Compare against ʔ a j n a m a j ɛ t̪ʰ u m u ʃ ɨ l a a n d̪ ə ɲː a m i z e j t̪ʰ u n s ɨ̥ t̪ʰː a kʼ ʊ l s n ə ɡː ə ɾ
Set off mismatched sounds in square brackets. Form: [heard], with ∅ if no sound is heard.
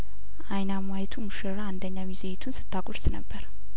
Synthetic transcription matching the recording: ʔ a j n a m a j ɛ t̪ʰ u m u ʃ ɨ [ɾ] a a n d̪ ə ɲː a m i z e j t̪ʰ u n s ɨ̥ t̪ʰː a kʼ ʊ [ɾ] s n ə [bː] ə ɾ